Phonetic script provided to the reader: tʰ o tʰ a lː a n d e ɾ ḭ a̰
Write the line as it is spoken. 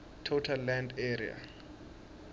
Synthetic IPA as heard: tʰ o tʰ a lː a n d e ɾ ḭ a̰